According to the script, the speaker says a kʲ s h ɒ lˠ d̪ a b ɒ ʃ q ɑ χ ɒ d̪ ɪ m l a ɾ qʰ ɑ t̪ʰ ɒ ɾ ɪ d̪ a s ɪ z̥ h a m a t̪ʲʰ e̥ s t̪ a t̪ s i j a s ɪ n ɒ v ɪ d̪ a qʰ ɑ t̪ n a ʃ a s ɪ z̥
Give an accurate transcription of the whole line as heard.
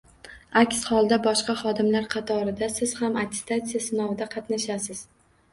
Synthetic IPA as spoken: a kʲ s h ɒ lˠ d̪ a b ɒ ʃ q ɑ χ ɒ d̪ ɪ m l a ɾ qʰ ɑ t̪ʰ ɒ ɾ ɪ d̪ a s ɪ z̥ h a m a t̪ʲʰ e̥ s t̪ a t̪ s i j a s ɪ n ɒ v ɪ d̪ a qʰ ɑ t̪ n a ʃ a s ɪ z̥

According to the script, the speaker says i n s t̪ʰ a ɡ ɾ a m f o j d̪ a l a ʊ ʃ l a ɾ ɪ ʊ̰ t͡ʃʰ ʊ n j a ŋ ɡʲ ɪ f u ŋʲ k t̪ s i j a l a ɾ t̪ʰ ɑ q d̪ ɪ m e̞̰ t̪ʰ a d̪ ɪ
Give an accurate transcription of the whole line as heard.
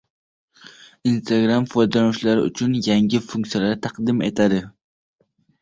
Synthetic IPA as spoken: i n s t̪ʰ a ɡ ɾ a m f o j d̪ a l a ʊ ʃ l a ɾ ɪ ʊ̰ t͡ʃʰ ʊ n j a ŋ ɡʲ ɪ f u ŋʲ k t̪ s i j a l a ɾ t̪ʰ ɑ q d̪ ɪ m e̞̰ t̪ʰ a d̪ ɪ

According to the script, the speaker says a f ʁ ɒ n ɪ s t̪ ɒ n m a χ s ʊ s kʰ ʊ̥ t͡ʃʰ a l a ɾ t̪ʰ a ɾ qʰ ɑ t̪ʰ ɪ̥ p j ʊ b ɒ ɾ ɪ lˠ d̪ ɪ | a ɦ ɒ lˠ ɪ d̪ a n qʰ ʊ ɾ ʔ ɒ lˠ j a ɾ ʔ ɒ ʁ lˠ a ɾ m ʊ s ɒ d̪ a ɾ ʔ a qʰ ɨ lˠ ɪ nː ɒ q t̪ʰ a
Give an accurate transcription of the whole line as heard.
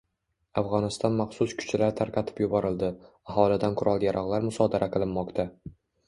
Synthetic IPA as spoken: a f ʁ ɒ n ɪ s t̪ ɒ n m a χ s ʊ s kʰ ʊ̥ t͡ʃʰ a l a ɾ t̪ʰ a ɾ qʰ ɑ t̪ʰ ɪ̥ p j ʊ b ɒ ɾ ɪ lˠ d̪ ɪ | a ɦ ɒ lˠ ɪ d̪ a n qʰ ʊ ɾ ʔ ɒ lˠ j a ɾ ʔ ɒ ʁ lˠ a ɾ m ʊ s ɒ d̪ a ɾ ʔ a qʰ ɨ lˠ ɪ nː ɒ q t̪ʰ a

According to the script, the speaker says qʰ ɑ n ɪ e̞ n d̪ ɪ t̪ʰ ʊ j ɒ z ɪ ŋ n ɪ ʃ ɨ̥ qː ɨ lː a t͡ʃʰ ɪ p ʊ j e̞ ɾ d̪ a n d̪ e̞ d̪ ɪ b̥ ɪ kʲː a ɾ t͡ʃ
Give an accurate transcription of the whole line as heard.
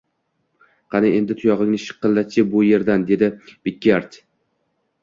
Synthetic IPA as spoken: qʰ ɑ n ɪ e̞ n d̪ ɪ t̪ʰ ʊ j ɒ ʁ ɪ ŋ n ɪ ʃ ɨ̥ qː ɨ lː a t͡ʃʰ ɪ b ʊ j e̞ ɾ d̪ a n d̪ e̞ d̪ ɪ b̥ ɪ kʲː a ɾ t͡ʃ

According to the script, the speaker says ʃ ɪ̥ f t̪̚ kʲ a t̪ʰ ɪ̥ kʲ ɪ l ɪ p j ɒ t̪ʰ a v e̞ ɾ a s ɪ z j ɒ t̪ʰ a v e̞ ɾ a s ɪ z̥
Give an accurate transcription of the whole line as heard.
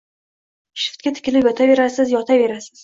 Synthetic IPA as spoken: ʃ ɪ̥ f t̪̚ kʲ a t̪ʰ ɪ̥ kʲ ɪ l ɪ p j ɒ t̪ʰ a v e̞ ɾ a s ɪ z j ɒ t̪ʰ a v e̞ ɾ a s ɪ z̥

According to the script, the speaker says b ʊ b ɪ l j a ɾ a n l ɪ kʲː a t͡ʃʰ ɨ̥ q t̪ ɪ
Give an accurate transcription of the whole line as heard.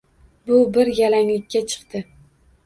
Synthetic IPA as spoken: b ʊ b ɪ ɾ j a l a ŋ l ɪ kʲː a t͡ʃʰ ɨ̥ q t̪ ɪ

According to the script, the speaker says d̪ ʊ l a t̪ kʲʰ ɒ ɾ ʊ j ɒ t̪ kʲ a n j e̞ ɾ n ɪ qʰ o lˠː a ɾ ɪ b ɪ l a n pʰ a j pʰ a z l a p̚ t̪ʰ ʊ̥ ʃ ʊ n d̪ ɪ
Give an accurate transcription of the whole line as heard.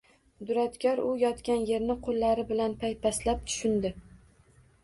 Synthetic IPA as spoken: d̪ ʊ ɾ a t̪ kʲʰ ɒ ɾ ʊ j ɒ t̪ kʲ a n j e̞ ɾ n ɪ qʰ o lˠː a ɾ ɪ b ɪ l a n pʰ a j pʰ a s l a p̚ t̪ʰ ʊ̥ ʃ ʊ n d̪ ɪ

